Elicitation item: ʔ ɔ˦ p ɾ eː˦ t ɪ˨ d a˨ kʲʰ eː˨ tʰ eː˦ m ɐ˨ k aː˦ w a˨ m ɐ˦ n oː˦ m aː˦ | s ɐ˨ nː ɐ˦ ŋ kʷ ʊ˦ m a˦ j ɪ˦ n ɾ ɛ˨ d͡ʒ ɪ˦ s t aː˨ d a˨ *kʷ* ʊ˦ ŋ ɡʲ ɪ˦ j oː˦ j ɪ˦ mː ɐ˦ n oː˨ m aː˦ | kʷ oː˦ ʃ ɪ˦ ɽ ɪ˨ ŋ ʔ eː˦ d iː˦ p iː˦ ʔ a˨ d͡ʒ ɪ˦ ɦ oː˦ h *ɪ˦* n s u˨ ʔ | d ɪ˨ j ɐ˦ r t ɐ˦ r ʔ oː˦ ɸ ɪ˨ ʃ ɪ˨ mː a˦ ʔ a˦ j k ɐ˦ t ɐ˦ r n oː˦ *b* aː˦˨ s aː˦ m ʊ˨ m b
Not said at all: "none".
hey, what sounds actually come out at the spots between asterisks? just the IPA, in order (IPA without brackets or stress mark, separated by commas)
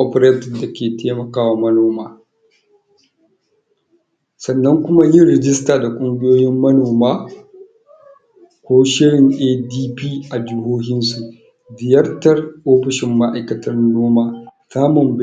kʷʼ, ɪ˦, m